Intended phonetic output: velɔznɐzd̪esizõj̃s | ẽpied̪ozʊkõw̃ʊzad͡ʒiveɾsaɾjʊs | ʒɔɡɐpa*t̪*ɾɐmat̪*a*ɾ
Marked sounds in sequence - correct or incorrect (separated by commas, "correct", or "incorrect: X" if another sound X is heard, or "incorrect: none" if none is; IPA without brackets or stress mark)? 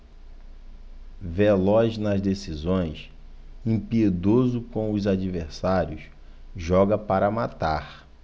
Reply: incorrect: none, correct